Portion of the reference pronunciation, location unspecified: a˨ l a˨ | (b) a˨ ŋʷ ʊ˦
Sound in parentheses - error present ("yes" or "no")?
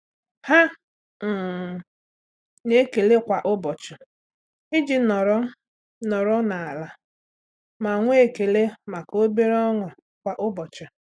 yes